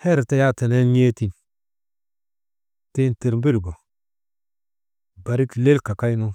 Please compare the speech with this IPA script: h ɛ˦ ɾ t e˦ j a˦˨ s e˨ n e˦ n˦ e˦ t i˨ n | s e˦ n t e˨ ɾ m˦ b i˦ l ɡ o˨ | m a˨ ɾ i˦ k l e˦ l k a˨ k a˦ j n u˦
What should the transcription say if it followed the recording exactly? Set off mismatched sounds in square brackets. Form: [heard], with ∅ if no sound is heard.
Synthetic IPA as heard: h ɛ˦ ɾ t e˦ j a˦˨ [t] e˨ n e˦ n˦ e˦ t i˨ n | [t] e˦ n t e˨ ɾ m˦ b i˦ l ɡ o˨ | [b] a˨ ɾ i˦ k l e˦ l k a˨ k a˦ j n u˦

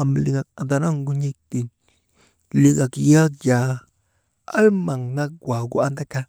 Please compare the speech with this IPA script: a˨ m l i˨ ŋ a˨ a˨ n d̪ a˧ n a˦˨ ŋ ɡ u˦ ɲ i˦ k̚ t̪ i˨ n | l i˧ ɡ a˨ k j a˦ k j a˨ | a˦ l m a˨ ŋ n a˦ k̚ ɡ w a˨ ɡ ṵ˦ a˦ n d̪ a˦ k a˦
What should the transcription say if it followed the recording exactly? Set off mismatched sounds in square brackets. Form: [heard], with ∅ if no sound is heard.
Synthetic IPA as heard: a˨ m l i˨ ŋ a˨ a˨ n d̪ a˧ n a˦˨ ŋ ɡ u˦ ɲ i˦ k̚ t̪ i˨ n | l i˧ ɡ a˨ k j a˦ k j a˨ | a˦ l m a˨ ŋ n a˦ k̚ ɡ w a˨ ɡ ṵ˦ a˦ n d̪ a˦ k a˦

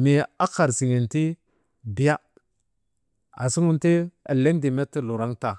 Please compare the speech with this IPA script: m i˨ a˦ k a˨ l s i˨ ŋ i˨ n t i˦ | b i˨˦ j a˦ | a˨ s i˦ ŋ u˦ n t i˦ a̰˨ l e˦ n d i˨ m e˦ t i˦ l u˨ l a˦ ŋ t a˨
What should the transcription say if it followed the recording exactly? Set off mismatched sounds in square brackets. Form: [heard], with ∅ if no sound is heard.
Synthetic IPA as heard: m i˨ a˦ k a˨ [ɾ] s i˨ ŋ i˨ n t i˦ | b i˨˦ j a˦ | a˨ s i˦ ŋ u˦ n t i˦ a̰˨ l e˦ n d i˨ m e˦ t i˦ l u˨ [ɾ] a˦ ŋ t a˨

